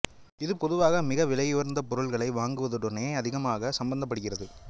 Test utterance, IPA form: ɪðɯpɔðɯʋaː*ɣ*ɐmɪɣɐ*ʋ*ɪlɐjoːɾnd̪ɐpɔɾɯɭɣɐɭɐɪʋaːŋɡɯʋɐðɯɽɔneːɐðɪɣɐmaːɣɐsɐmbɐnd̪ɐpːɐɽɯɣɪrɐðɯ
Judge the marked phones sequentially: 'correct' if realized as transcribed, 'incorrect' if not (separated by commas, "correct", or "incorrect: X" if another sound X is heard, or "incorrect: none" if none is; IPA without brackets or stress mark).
correct, correct